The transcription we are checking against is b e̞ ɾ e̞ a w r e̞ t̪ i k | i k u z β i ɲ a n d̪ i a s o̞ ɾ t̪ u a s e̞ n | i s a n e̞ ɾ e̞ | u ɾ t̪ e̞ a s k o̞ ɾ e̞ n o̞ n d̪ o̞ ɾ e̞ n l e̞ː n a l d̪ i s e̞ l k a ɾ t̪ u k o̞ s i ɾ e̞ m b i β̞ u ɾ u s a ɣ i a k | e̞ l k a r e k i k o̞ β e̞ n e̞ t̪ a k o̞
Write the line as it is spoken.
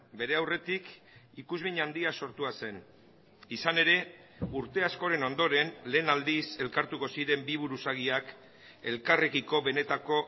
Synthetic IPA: b e̞ ɾ e̞ a w r e̞ t̪ i k | i k u z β i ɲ a n d̪ i a s o̞ ɾ t̪ u a s e̞ n | i s a n e̞ ɾ e̞ | u ɾ t̪ e̞ a s k o̞ ɾ e̞ n o̞ n d̪ o̞ ɾ e̞ n l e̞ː n a l d̪ i s e̞ l k a ɾ t̪ u k o̞ s i ɾ e̞ m b i β̞ u ɾ u s a ɣ i a k | e̞ l k a r e k i k o̞ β e̞ n e̞ t̪ a k o̞